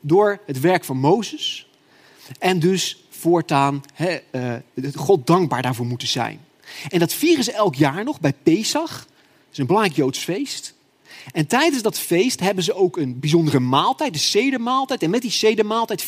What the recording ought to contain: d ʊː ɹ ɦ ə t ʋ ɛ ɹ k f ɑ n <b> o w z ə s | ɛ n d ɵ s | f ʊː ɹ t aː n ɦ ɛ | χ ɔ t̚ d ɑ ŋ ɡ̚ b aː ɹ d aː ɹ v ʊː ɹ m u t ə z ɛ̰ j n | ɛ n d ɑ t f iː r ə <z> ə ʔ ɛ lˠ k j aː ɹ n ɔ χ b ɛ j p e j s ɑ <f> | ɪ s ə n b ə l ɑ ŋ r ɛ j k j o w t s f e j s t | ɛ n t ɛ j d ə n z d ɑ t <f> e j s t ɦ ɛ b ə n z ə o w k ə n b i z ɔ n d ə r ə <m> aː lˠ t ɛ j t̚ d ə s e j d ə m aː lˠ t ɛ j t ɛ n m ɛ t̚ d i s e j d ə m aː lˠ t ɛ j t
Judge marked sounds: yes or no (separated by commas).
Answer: no, yes, no, yes, yes